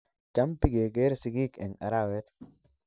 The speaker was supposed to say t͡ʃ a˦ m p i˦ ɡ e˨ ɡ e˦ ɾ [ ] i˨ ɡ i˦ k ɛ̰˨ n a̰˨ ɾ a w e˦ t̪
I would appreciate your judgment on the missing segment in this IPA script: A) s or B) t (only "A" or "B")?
A